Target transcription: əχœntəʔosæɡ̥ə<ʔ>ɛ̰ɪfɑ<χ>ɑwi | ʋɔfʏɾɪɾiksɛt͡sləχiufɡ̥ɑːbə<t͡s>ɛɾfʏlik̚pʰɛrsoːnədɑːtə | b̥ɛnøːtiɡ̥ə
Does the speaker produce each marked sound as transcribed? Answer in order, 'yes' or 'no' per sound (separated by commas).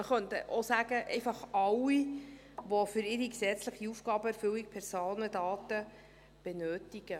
yes, yes, no